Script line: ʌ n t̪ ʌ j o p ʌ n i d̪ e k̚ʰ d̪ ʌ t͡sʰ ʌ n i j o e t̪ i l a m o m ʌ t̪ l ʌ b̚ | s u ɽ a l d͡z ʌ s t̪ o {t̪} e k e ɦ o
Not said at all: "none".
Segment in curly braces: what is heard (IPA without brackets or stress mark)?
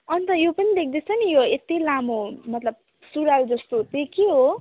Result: t̪